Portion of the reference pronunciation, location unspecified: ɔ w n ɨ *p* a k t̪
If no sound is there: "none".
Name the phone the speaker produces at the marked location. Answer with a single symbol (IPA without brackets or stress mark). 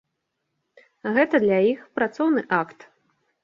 ʔ